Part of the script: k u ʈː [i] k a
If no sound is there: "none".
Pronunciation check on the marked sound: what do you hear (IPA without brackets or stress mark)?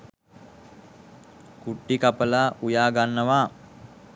i